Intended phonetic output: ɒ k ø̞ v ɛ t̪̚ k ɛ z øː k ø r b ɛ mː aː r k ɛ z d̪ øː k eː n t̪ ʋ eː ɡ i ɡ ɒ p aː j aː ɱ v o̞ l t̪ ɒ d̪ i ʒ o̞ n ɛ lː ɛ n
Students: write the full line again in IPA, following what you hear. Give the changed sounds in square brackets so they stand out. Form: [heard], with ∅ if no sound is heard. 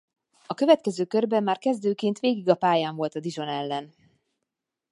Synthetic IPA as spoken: ɒ k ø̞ v ɛ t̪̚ k ɛ z øː k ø r b ɛ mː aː r k ɛ z d̪ øː k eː n t̪ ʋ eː ɡ i ɡ ɒ p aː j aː ɱ v o̞ l t̪ ɒ d̪ i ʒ o̞ n ɛ lː ɛ n